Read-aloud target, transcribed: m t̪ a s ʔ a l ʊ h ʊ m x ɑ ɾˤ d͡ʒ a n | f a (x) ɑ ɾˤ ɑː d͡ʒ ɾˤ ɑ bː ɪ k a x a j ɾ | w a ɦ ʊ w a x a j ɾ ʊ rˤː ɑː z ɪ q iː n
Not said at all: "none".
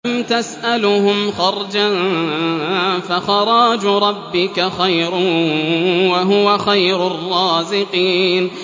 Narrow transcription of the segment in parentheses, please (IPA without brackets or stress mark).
x